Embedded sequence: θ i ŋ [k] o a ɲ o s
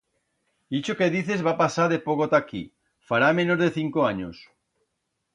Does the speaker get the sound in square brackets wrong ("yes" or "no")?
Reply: no